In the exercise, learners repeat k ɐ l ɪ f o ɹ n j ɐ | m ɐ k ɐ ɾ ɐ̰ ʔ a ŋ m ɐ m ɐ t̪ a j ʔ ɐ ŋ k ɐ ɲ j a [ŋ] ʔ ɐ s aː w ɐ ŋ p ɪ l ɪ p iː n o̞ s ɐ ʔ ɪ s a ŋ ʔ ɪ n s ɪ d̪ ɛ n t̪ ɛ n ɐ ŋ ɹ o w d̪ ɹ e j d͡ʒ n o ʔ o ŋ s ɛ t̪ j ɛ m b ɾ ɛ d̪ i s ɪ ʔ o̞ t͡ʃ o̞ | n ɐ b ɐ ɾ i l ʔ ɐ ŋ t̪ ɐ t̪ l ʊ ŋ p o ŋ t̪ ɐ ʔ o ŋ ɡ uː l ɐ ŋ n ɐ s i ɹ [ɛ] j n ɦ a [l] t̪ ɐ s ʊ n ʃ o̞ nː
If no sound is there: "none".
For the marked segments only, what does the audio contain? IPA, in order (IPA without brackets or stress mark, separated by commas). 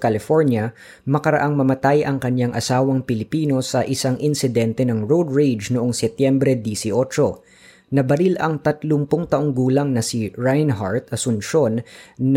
ŋ, a, ɹ